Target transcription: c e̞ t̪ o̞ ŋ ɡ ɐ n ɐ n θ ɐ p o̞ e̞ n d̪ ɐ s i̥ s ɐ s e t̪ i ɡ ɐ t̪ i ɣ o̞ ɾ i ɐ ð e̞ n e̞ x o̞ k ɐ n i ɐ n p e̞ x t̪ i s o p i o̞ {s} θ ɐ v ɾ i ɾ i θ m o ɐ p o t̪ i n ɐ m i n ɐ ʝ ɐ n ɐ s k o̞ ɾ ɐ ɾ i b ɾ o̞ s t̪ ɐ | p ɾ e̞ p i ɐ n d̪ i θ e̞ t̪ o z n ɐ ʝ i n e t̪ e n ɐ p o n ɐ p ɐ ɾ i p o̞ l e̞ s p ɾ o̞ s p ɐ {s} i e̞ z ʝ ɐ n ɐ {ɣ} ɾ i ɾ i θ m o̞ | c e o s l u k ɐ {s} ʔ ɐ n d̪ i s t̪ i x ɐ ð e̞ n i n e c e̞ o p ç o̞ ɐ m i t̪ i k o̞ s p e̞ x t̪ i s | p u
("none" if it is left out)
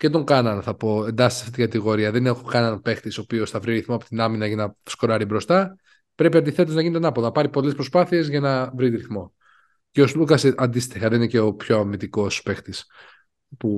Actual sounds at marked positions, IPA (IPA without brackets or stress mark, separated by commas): s, θ, v, s